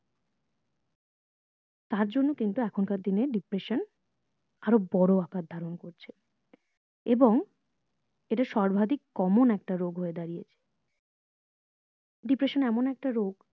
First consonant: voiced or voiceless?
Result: voiceless